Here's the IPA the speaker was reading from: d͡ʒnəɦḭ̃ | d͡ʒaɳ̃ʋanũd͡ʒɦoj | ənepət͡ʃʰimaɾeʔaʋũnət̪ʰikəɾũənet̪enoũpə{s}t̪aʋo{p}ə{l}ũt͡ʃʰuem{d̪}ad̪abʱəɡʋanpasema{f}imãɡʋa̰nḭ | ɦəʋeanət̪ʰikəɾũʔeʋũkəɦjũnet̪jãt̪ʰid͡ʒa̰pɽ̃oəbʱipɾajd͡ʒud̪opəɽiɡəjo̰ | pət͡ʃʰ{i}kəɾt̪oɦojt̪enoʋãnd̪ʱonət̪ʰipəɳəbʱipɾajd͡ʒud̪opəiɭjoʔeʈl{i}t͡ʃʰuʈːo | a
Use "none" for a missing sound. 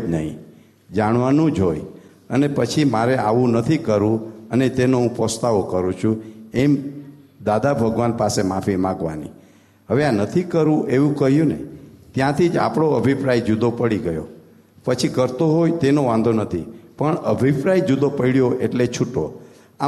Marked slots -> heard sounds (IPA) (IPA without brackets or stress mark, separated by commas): s, k, ɾ, d̪, f, i, e